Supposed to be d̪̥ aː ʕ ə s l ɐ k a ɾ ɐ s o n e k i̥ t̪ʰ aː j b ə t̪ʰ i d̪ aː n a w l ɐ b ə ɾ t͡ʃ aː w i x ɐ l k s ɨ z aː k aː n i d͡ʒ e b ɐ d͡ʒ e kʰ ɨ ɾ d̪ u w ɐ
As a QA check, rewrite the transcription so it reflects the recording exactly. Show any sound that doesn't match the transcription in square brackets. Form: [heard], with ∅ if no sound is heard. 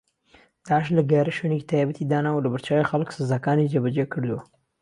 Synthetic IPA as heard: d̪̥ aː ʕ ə [ʃ] l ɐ [ɡ] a ɾ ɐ [ʃ] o n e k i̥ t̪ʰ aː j b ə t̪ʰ i d̪ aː n a w l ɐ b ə ɾ t͡ʃ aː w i x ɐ l k s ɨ z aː k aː n i d͡ʒ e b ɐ d͡ʒ e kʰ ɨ ɾ d̪ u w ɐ